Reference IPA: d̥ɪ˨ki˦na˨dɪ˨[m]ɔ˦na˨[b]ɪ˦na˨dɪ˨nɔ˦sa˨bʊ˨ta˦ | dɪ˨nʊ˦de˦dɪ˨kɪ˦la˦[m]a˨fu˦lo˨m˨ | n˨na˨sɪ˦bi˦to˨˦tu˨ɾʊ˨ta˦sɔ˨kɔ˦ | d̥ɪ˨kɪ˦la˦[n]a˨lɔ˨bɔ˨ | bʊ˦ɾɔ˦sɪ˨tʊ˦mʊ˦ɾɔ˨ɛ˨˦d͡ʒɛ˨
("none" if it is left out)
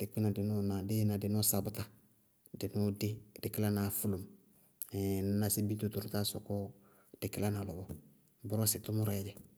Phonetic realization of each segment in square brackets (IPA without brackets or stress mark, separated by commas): n, d, n, n